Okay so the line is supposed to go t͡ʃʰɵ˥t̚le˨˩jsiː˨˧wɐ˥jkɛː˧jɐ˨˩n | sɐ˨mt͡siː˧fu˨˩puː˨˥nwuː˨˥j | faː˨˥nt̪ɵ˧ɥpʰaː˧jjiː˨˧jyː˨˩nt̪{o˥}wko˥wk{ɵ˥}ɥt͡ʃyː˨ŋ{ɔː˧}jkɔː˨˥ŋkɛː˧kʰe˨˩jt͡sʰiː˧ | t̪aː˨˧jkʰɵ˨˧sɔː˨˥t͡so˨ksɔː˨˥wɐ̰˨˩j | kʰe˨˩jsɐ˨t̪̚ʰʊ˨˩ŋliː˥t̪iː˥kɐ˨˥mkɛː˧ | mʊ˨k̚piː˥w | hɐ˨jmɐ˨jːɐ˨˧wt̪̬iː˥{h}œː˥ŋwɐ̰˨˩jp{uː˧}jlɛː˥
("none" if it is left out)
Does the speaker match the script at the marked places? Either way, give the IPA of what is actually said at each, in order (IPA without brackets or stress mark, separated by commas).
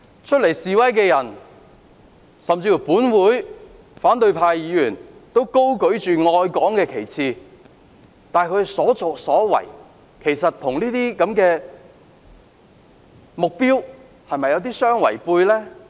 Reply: o˥, ɵ˨˥, ɔː˧, s, uː˧